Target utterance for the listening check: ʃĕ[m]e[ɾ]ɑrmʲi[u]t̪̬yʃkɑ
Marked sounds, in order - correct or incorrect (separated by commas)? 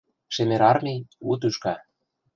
correct, correct, correct